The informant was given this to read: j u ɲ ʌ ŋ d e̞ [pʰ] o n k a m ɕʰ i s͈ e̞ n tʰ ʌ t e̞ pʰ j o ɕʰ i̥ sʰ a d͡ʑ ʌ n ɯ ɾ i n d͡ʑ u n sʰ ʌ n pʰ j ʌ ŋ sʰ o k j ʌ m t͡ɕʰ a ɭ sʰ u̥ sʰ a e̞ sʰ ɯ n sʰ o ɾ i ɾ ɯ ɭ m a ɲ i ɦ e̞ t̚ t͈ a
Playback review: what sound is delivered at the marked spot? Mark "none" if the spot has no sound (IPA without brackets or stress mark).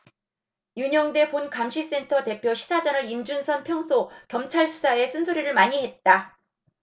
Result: p